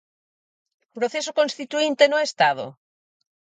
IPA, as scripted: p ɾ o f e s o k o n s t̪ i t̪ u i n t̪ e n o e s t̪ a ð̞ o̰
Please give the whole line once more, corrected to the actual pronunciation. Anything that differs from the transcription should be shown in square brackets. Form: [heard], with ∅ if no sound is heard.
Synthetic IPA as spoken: p ɾ o [θ] e s o k o n s t̪ i t̪ u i n t̪ e n o e s t̪ a ð̞ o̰